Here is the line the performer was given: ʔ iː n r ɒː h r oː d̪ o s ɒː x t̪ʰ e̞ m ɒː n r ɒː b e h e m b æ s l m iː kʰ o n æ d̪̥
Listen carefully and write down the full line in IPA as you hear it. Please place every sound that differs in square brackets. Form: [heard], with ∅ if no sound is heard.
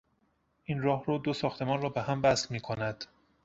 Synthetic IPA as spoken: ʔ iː n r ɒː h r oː d̪ o s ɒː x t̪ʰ e̞ m ɒː n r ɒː b e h [æ] m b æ s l m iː kʰ o n æ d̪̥